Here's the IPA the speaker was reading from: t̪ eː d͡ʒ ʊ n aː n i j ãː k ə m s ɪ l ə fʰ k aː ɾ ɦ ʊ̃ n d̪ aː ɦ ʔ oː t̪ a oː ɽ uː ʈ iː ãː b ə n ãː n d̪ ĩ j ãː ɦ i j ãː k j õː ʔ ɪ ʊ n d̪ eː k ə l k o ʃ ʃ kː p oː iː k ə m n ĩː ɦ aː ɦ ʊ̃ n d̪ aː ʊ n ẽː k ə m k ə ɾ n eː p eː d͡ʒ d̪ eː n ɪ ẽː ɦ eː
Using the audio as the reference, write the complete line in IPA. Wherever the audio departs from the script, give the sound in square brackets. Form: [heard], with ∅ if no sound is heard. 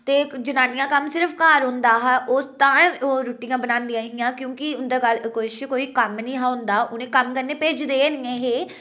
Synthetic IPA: t̪ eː d͡ʒ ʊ n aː n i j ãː k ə m s ɪ [ɾ] ə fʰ k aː ɾ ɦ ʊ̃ n d̪ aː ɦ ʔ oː t̪ a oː [ɾ] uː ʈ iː ãː b ə n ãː n d̪ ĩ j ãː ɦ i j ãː k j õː [k] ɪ ʊ n d̪ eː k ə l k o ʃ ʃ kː [k] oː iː k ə m n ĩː ɦ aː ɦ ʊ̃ n d̪ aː ʊ n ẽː k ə m k ə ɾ n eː p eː d͡ʒ d̪ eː n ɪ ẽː ɦ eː

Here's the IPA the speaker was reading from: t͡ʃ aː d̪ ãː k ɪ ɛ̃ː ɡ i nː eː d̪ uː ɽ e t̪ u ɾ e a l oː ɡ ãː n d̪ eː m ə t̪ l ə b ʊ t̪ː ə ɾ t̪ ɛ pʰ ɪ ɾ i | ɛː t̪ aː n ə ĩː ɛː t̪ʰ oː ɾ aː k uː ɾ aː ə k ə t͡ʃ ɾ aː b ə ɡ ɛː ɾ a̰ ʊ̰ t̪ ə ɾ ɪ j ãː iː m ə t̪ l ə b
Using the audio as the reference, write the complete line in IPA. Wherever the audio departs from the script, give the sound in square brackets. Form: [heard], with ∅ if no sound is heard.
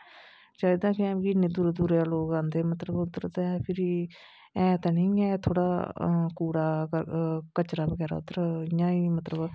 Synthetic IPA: t͡ʃ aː d̪ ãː k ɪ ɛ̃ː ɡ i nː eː d̪ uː [ɾ] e [d̪] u ɾ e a l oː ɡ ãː n d̪ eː m ə t̪ l ə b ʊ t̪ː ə ɾ t̪ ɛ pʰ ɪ ɾ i | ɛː t̪ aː n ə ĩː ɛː t̪ʰ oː [ɽ] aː k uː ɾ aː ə k ə t͡ʃ ɾ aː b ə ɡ ɛː ɾ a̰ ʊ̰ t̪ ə ɾ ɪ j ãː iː m ə t̪ l ə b

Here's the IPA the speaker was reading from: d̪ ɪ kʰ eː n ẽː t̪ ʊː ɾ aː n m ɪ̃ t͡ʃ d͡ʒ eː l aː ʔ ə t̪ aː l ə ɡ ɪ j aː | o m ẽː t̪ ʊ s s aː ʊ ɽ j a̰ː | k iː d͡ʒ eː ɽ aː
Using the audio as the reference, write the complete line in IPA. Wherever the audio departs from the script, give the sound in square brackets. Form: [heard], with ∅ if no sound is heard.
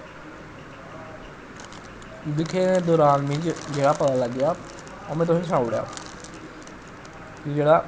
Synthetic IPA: d̪ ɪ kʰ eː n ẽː [d̪] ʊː ɾ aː n m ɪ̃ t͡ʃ d͡ʒ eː [ɽ] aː [p] ə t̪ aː l ə ɡ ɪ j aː | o m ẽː t̪ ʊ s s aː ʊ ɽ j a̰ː | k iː d͡ʒ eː ɽ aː

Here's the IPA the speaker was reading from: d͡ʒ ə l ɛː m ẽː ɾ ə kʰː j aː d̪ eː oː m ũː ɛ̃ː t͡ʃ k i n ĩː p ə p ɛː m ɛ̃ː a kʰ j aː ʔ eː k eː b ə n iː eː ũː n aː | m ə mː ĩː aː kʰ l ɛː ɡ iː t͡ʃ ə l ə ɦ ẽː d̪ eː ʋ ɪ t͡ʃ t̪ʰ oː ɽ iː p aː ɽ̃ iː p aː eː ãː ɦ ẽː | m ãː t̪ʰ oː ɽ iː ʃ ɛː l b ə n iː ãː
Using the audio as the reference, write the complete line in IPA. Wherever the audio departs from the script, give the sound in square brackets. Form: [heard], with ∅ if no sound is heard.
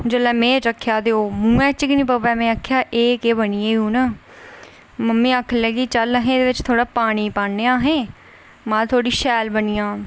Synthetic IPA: d͡ʒ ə l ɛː m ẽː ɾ ə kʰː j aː d̪ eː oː m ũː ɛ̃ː t͡ʃ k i n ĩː p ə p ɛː m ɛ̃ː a kʰ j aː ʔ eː k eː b ə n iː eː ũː n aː | m ə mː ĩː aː kʰ l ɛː ɡ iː t͡ʃ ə l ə ɦ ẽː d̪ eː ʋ ɪ t͡ʃ t̪ʰ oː ɽ [aː] p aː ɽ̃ iː p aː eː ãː ɦ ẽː | m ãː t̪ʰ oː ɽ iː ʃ ɛː l b ə n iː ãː

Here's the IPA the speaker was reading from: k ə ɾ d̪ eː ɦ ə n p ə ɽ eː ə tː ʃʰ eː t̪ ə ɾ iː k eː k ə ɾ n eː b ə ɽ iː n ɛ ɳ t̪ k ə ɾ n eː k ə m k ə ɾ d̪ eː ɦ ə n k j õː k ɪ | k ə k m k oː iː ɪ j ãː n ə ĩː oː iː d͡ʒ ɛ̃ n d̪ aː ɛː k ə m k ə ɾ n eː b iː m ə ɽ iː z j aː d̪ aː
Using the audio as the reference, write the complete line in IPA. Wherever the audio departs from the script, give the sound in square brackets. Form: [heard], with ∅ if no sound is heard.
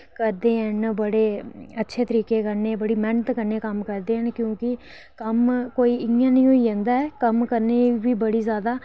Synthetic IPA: k ə ɾ d̪ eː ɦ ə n [b] ə ɽ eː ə tː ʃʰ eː t̪ ə ɾ iː k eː k ə ɾ n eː b ə ɽ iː [m] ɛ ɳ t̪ k ə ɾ n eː k ə m k ə ɾ d̪ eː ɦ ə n k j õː k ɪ | k ə [∅] m k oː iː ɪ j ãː n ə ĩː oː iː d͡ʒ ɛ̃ n d̪ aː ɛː k ə m k ə ɾ n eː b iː [b] ə ɽ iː z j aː d̪ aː

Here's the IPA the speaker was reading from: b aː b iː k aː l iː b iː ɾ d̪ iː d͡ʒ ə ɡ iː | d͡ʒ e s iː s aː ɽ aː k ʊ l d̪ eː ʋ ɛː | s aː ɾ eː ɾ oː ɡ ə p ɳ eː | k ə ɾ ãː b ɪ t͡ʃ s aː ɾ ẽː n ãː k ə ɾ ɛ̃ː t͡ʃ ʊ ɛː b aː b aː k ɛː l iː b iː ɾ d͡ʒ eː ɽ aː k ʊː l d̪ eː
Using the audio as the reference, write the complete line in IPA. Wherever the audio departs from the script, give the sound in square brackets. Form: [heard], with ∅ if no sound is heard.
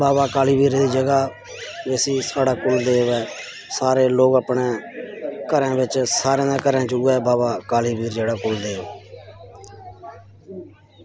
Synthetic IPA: b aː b [aː] k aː l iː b iː ɾ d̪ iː d͡ʒ ə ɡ [aː] | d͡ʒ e s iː s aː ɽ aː k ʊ l d̪ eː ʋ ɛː | s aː ɾ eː [l] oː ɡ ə p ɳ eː | k ə ɾ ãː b ɪ t͡ʃ s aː ɾ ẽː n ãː k ə ɾ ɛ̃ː t͡ʃ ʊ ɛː b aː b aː k [aː] l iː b iː ɾ d͡ʒ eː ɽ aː k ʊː l d̪ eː

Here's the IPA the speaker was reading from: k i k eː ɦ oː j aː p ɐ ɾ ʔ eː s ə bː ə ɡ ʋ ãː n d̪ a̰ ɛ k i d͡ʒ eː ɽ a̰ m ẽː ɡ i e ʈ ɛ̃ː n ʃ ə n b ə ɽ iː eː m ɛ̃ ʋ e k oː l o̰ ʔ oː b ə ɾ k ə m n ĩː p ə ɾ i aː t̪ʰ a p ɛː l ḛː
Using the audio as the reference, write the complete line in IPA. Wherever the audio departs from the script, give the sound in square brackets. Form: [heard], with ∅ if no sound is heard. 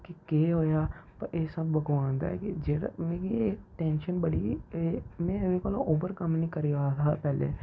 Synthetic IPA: k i k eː ɦ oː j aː p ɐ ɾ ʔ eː s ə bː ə ɡ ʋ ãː n d̪ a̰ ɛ k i d͡ʒ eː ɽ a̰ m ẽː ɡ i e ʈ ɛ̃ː n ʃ ə n b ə ɽ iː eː m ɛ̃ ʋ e k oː l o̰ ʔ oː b ə ɾ k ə m n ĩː [k] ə ɾ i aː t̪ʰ a p ɛː l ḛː

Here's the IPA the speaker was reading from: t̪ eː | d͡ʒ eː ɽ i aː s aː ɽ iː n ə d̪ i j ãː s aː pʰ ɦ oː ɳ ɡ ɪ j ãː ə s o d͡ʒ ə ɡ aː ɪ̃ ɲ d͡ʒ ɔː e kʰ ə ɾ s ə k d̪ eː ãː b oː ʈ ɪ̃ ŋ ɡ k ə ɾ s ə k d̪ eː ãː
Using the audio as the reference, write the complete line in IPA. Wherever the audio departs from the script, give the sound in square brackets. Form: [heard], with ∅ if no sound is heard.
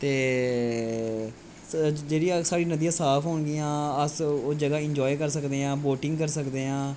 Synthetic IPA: t̪ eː | d͡ʒ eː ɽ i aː s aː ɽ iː n ə d̪ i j ãː s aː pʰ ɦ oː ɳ ɡ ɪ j ãː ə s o d͡ʒ ə ɡ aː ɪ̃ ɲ d͡ʒ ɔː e [k] ə ɾ s ə k d̪ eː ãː b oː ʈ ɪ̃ ŋ ɡ k ə ɾ s ə k d̪ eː ãː

